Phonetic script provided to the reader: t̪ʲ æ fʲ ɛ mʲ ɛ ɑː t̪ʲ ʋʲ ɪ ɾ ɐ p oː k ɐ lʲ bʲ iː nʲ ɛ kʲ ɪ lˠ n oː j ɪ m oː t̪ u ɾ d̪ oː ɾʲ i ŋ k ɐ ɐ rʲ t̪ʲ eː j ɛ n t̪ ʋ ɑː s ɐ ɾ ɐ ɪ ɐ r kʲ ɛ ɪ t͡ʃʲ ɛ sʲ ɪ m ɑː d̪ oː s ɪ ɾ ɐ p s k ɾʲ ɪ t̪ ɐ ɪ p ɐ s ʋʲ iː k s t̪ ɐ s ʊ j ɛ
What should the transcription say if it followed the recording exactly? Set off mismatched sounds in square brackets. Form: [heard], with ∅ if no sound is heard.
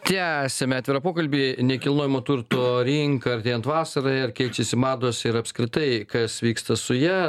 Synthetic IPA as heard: t̪ʲ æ [sʲ] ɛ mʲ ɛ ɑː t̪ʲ ʋʲ ɪ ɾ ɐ p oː k ɐ lʲ bʲ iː nʲ ɛ kʲ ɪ lˠ n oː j ɪ m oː t̪ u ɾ [t̪] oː ɾʲ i ŋ k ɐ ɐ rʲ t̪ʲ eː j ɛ n t̪ ʋ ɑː s ɐ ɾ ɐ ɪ ɐ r kʲ ɛ ɪ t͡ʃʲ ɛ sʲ ɪ m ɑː d̪ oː s ɪ ɾ ɐ p s k ɾʲ ɪ t̪ ɐ ɪ [k] ɐ s ʋʲ iː k s t̪ ɐ s ʊ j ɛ